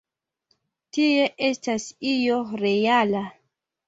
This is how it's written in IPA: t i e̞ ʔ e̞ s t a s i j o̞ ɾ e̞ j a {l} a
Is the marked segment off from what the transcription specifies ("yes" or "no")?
no